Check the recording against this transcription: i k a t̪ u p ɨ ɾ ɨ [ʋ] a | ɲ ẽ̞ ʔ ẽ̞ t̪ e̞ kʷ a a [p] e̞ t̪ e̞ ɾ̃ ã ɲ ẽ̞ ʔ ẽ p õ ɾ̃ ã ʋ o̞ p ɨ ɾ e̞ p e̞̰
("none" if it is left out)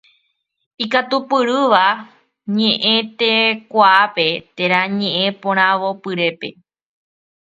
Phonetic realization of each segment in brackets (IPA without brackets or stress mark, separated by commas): ʋ, p